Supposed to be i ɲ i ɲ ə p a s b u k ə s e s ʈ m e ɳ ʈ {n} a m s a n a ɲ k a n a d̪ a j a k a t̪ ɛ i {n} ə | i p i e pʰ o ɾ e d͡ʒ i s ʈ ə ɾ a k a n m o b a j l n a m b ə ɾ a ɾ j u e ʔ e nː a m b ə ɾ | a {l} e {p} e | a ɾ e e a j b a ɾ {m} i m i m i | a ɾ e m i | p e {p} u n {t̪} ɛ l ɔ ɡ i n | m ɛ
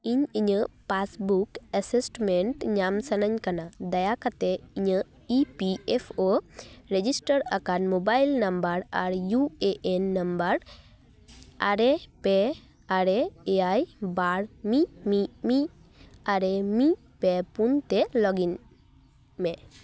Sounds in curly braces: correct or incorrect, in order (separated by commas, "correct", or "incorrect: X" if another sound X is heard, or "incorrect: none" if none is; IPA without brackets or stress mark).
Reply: incorrect: ɲ, incorrect: ɲ, incorrect: ɾ, correct, correct, correct, correct